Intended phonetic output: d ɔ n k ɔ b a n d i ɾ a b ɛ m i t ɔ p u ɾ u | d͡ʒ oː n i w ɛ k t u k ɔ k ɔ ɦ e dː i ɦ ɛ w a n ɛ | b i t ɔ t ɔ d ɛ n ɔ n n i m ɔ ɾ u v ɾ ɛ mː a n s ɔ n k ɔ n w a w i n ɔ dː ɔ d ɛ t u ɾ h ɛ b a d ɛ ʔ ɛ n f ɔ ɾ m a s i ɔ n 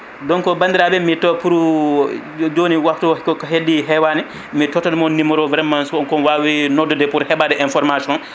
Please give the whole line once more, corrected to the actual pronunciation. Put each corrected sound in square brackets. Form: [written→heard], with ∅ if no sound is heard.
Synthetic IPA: d ɔ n k ɔ b a n d i ɾ a b ɛ m i t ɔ p u ɾ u | d͡ʒ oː n i w [ɛ→a] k t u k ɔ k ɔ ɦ e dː i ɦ ɛ w a n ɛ | [b→m] i t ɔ t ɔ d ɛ [n→m] ɔ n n i m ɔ ɾ [u→ɔ] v ɾ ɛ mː a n s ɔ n k ɔ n w a w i n ɔ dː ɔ d ɛ [t→p] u ɾ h ɛ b a d ɛ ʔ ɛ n f ɔ ɾ m a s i ɔ n